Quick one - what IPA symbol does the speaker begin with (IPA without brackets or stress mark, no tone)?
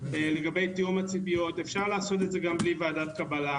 l